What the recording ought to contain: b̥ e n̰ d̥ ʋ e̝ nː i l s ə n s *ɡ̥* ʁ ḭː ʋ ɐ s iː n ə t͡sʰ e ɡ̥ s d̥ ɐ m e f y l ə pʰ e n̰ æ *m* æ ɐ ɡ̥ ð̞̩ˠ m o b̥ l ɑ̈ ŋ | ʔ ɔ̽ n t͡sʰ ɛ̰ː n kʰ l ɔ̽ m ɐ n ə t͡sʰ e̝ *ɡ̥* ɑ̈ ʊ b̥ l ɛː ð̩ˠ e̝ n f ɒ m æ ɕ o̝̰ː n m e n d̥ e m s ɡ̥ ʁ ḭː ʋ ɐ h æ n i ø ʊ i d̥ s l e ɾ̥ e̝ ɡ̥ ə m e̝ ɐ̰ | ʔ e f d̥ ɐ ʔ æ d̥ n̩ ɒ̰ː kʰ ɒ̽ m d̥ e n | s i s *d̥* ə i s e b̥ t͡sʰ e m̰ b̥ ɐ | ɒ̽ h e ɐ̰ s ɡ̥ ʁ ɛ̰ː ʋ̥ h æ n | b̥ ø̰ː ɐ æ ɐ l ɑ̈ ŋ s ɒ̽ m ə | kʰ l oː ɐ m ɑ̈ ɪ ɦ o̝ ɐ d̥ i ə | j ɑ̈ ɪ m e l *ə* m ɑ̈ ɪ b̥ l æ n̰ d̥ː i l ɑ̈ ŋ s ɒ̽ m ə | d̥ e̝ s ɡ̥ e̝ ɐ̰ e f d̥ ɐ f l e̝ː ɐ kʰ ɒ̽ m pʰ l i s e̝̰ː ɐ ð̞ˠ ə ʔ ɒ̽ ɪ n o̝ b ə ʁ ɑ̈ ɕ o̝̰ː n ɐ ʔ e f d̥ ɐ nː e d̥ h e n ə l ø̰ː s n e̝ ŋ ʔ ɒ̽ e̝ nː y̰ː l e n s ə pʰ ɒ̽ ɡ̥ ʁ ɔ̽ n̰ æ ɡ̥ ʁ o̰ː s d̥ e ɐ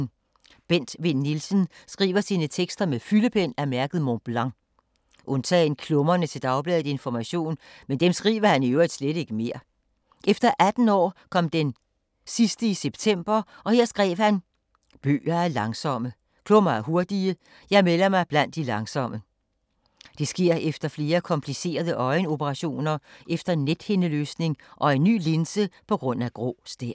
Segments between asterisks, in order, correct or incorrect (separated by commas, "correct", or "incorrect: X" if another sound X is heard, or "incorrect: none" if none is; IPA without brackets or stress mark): correct, correct, incorrect: d̥, correct, incorrect: ɐ